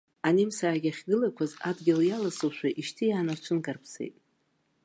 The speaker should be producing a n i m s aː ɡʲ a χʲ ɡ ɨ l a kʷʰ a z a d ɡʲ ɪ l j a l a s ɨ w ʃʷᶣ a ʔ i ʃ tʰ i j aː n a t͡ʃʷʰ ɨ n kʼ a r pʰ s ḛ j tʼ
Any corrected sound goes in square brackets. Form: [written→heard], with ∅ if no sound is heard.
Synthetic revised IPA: a n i m s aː ɡʲ a χʲ ɡ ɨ l a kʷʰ a z a d ɡʲ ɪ l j a l a s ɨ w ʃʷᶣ a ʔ i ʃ tʰ i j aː n a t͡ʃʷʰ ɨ n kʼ a r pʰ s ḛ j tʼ